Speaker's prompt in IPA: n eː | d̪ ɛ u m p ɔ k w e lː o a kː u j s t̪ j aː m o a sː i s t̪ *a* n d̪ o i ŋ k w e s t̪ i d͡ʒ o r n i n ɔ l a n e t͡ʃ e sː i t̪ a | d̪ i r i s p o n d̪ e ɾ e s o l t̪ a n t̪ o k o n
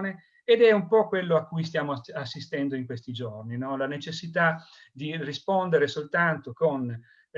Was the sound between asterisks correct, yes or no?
no